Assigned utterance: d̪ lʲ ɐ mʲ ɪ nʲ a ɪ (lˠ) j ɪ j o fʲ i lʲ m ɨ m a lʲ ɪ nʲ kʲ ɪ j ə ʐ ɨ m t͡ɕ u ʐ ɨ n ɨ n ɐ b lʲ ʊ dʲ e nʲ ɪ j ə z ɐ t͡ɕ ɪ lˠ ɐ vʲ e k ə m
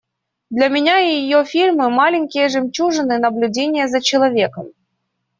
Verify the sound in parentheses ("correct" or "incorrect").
incorrect